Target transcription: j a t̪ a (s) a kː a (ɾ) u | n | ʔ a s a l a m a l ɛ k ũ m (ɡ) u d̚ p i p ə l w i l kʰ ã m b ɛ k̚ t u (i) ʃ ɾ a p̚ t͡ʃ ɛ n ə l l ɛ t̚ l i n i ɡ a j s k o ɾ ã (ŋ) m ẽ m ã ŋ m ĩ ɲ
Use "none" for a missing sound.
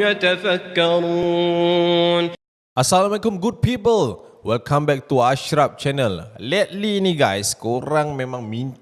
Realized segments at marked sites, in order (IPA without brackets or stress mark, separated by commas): f, ɾ, ɡ, a, ŋ